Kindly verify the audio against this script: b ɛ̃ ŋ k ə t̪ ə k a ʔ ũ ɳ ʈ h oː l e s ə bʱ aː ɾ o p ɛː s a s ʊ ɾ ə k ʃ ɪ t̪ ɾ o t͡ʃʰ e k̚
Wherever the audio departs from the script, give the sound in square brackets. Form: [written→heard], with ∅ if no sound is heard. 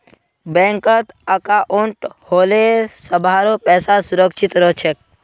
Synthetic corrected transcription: b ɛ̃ ŋ k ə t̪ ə k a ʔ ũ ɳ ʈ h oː l e s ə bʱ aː ɾ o p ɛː s a s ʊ ɾ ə k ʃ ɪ t̪ ɾ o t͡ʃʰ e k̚